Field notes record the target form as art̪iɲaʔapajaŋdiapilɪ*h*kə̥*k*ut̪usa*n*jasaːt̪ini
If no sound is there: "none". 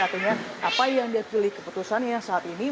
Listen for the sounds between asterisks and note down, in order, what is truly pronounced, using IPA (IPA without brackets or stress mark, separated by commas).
h, p, n